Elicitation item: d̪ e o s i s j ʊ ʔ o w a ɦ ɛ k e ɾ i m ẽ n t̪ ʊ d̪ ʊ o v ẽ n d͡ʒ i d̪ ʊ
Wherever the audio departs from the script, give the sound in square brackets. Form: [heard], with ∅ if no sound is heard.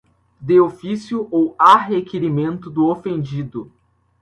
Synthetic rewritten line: d̪ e o [f] i s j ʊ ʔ o w a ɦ [e] k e ɾ i m ẽ n t̪ ʊ d̪ ʊ o [f] ẽ n d͡ʒ i d̪ ʊ